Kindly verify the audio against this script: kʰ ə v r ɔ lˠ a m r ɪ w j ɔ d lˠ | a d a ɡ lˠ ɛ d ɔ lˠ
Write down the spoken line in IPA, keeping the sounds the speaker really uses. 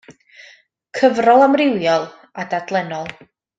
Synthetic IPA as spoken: kʰ ə v r ɔ lˠ a m r ɪ w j ɔ lˠ | a d a d lˠ ɛ n ɔ lˠ